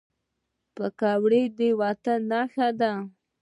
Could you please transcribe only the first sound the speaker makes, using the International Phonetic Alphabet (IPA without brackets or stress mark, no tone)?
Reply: p